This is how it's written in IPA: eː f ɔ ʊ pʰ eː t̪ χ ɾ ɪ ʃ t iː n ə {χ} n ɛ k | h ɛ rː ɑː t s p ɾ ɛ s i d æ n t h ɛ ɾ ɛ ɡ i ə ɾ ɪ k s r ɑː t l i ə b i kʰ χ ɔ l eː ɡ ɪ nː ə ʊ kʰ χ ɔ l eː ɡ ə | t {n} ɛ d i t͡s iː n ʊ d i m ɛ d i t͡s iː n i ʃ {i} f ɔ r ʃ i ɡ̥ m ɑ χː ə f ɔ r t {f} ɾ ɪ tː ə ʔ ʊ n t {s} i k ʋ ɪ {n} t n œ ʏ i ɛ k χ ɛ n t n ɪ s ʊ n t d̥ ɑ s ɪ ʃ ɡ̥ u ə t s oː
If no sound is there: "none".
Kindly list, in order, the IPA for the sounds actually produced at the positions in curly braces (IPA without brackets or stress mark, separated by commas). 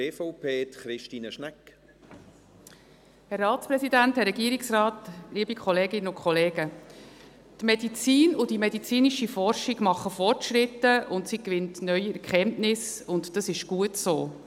ʃ, m, i, ʃ, s, n